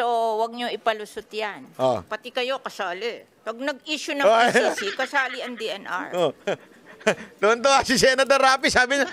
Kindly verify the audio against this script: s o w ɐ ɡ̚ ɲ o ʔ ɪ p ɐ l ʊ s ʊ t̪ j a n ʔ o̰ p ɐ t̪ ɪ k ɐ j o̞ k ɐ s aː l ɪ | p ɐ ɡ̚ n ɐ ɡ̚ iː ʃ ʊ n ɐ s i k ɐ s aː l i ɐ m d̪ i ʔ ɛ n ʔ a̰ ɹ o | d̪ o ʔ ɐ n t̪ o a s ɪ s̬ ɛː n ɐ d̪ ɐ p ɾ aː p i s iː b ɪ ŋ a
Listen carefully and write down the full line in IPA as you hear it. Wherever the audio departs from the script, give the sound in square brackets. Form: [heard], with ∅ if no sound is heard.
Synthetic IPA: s o w ɐ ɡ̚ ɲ o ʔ ɪ p ɐ l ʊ s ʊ t̪ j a n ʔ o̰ p ɐ t̪ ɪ k ɐ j o̞ k ɐ s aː l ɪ | p ɐ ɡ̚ n ɐ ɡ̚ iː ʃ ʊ n ɐ s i k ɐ s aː l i ɐ [ŋ] d̪ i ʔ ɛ n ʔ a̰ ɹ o | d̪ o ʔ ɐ n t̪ o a s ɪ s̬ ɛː n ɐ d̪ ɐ [∅] ɾ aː p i s [aː] b ɪ [ɲ] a